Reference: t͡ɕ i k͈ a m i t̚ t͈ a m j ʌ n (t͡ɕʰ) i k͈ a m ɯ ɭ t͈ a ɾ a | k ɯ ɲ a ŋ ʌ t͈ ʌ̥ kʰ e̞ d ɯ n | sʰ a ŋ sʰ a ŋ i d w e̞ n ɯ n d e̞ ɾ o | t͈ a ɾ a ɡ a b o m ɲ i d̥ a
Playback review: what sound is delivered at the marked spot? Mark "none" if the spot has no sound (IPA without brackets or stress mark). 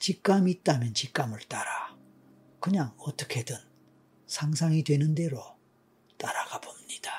t͡ɕ